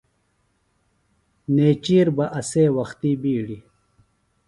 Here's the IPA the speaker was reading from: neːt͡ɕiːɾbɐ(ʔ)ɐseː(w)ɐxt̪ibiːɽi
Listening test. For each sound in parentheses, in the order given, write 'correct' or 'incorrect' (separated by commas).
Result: correct, correct